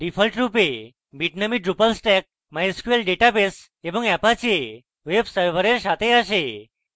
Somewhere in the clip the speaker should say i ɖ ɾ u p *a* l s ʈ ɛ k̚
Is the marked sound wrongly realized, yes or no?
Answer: yes